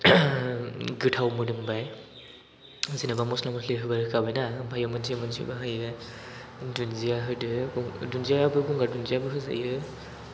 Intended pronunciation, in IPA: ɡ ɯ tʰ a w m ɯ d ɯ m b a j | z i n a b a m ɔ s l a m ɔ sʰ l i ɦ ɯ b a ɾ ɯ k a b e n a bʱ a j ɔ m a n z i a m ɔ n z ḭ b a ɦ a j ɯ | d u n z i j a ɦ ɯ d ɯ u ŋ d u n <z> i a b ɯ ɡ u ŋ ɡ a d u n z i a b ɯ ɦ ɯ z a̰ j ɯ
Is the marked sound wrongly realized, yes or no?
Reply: no